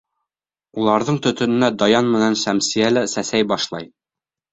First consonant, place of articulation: alveolar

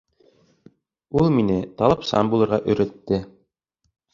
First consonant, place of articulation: alveolar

